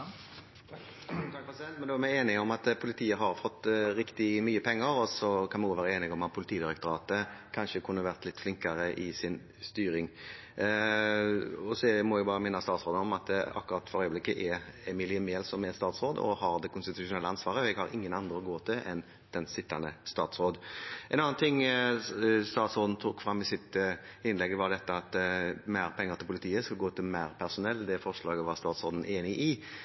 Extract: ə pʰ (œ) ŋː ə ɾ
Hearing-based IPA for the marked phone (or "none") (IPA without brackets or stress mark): ɛ